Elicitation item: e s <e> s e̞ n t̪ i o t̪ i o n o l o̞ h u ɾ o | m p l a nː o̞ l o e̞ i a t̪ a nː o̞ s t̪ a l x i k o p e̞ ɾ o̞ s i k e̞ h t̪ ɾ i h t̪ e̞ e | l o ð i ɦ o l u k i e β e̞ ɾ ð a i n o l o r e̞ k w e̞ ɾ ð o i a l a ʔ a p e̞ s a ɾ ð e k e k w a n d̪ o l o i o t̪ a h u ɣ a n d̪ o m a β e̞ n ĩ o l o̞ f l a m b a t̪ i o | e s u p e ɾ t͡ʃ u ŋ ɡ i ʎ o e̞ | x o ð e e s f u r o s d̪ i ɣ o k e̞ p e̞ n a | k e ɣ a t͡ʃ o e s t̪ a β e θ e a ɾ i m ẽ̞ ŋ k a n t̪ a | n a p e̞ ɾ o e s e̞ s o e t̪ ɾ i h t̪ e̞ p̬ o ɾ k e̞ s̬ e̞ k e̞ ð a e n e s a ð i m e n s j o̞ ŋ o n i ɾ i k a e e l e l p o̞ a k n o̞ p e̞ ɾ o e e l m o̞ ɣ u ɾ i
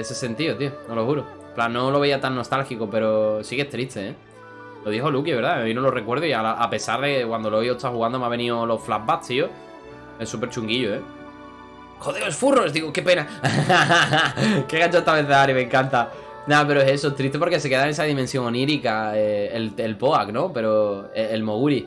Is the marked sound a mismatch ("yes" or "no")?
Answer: no